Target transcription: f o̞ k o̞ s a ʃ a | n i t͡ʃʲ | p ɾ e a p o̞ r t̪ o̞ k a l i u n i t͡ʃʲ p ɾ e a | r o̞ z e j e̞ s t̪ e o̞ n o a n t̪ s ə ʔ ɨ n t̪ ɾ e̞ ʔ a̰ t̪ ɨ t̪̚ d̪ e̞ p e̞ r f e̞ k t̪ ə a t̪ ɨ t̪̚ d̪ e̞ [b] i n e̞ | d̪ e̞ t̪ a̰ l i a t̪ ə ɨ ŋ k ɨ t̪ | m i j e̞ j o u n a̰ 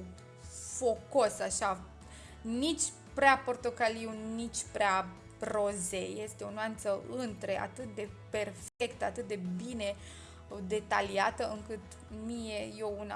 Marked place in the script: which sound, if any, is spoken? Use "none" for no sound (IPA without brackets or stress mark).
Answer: b